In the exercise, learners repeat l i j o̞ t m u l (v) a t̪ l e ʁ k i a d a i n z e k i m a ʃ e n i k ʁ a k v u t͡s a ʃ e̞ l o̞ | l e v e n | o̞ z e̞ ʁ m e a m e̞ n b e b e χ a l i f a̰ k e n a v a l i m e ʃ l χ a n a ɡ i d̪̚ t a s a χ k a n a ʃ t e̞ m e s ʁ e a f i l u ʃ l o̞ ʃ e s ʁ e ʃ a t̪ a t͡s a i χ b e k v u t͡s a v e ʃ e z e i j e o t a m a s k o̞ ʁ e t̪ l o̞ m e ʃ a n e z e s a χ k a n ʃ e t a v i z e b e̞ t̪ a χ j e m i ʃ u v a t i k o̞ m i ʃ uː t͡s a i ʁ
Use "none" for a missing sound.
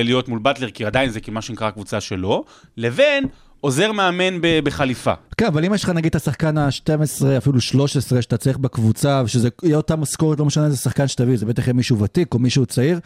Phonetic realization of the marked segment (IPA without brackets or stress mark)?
b